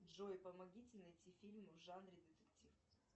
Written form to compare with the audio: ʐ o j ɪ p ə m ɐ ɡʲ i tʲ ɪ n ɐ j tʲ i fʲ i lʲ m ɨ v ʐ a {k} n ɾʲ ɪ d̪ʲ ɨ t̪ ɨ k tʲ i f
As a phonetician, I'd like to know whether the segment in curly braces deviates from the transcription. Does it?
yes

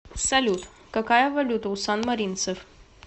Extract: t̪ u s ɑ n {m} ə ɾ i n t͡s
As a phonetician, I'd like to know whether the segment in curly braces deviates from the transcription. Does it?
no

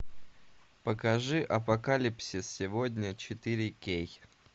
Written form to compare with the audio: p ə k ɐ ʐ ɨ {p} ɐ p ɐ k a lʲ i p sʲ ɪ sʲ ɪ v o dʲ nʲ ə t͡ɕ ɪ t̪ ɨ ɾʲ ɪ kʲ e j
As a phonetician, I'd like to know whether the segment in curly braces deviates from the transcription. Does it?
yes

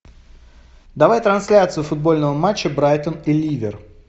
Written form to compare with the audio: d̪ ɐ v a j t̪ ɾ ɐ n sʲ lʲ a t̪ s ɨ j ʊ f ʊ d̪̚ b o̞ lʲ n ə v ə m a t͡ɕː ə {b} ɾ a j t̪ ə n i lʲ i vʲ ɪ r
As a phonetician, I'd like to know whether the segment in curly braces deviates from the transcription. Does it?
no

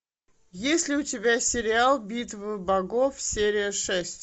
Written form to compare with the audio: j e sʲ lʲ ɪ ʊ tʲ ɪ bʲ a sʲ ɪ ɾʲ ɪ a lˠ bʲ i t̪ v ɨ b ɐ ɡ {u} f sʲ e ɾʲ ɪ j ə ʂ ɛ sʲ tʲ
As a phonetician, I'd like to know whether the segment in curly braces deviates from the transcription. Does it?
yes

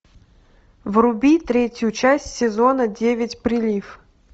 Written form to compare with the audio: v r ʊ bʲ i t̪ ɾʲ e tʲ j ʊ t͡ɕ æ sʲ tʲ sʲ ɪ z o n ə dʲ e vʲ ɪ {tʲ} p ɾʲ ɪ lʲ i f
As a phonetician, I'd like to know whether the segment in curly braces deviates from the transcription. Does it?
no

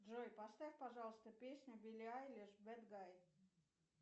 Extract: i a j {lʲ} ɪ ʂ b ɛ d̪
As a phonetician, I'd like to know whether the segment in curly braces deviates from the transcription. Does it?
no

